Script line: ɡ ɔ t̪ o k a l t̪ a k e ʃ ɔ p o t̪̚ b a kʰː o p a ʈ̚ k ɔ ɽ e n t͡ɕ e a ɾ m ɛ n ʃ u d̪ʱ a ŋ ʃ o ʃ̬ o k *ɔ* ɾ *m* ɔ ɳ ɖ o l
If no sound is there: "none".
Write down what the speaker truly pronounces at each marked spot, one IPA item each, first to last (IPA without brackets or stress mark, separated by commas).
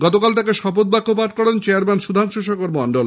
o, m